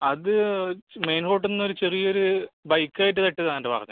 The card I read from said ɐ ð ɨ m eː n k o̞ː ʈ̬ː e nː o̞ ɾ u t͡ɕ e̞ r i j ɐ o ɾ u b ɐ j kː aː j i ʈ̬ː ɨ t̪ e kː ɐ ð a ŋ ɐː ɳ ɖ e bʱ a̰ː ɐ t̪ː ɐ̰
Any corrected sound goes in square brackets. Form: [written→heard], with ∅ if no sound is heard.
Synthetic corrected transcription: ɐ ð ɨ m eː n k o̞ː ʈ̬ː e nː o̞ ɾ u t͡ɕ e̞ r i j ɐ o ɾ u b ɐ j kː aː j i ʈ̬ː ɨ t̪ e [kː→ʈː] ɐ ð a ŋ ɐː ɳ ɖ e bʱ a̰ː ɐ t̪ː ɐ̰

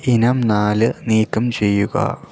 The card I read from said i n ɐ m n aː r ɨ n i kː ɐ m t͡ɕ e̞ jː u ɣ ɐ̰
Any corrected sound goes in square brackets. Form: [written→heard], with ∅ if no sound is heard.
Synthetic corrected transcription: i n ɐ m n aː [r→l] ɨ n [i→iː] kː ɐ m t͡ɕ e̞ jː u ɣ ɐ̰

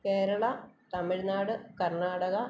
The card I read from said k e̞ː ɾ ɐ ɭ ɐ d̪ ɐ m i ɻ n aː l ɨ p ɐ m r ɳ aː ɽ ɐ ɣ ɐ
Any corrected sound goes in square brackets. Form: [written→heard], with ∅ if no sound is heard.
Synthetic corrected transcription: k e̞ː ɾ ɐ ɭ ɐ [d̪→t̪] ɐ m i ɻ n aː [l→ɽ] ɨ [p→k] ɐ [m→∅] r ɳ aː ɽ ɐ ɣ ɐ

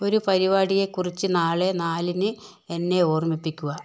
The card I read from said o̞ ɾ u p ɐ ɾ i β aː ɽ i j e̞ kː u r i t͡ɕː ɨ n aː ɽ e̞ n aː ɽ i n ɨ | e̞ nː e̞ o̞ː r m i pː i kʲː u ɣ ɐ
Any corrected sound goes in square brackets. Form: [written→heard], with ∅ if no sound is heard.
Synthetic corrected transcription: o̞ ɾ u p ɐ ɾ i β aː ɽ i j e̞ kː u r i t͡ɕː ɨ n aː [ɽ→ɭ] e̞ n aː [ɽ→l] i n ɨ | e̞ nː e̞ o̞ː r m i pː i kʲː u ɣ ɐ

